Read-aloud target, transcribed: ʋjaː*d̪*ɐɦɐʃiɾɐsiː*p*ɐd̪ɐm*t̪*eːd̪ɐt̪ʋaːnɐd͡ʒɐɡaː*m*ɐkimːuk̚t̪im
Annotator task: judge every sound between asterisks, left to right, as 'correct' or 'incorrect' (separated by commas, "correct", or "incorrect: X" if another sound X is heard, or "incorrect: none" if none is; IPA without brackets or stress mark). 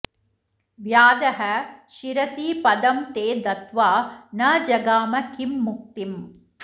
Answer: correct, correct, correct, correct